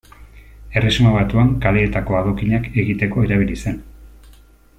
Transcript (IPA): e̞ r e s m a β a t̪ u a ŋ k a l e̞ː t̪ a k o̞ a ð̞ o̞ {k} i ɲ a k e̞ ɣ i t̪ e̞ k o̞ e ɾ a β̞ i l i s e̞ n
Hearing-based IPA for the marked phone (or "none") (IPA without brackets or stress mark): k